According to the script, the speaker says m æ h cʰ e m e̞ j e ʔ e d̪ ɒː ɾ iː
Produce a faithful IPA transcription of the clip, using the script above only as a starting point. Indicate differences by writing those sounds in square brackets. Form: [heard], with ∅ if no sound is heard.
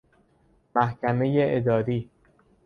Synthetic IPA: m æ h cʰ [æ] m e̞ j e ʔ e d̪ ɒː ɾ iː